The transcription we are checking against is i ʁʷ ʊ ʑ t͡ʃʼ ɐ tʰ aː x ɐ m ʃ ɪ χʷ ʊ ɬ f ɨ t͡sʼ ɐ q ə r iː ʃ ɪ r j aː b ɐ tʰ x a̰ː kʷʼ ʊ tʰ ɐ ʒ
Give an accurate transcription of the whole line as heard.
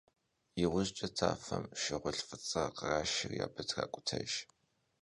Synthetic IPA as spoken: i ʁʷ ʊ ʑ t͡ʃʼ ɐ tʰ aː f ɐ m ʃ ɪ ʁʷ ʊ ɬ f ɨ t͡sʼ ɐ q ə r aː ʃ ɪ r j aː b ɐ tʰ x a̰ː kʷʼ ʊ tʰ ɐ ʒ